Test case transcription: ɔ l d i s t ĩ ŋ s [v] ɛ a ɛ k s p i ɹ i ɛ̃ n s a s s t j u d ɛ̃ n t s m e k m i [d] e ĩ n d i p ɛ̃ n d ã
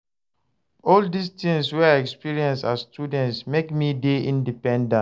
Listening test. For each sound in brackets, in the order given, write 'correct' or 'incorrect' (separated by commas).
incorrect, correct